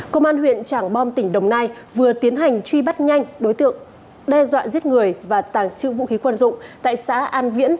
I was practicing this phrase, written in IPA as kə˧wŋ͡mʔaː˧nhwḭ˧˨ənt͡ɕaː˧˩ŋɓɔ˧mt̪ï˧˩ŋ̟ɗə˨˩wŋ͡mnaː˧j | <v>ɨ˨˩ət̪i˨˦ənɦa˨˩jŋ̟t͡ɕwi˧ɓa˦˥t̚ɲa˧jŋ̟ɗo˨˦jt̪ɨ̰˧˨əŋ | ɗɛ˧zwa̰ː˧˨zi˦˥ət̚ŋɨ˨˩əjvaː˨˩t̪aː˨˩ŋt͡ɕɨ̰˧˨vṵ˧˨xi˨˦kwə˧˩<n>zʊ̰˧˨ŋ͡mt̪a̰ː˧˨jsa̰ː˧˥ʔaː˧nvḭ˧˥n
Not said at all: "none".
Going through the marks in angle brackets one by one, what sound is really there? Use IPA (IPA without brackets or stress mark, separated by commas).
v, n